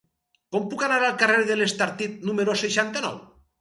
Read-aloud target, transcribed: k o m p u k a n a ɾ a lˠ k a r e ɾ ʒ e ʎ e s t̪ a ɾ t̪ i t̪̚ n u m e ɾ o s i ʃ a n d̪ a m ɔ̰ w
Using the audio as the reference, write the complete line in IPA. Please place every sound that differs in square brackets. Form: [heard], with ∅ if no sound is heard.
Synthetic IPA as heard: k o m p u k a n a ɾ a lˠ k a r e ɾ [ð] e [l] e s t̪ a ɾ t̪ i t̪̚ n u m e ɾ o s [e] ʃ a n [t̪] a [n] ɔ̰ w